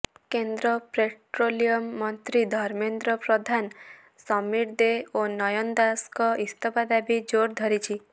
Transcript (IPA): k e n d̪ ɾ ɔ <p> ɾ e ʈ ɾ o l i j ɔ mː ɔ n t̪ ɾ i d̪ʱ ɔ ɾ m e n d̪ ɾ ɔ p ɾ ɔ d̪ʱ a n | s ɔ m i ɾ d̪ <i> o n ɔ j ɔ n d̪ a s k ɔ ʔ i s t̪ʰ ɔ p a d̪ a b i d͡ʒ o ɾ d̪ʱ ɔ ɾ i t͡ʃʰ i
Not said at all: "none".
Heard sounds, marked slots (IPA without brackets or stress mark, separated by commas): p, e